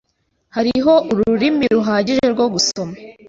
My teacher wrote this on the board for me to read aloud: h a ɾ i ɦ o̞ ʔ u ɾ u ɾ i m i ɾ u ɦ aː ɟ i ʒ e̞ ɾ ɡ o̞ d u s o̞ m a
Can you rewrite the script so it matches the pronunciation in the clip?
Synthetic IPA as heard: h a ɾ i ɦ o̞ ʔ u ɾ u ɾ i m i ɾ u ɦ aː ɟ i ʒ e̞ ɾ ɡ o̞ ɡ u s o̞ m a